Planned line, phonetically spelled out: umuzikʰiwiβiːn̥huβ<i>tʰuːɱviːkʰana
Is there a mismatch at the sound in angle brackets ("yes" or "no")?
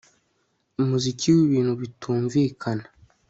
no